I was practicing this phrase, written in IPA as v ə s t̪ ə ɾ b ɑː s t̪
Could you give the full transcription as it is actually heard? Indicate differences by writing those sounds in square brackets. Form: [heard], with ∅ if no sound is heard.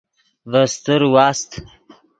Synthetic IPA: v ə s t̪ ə ɾ [w] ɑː s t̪

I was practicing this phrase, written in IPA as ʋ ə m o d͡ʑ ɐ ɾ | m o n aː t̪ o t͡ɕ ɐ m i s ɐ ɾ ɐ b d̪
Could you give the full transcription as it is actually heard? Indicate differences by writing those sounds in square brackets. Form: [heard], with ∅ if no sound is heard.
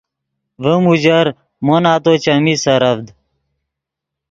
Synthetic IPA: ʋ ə m [u] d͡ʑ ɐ ɾ | m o n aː t̪ o t͡ɕ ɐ m i s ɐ ɾ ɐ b d̪

